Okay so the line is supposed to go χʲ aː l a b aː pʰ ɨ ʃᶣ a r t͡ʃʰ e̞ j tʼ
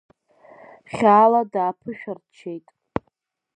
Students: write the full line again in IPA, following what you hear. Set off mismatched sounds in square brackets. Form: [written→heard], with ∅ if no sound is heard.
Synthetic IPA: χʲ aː l a [b→d] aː pʰ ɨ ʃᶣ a r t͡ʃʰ e̞ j tʼ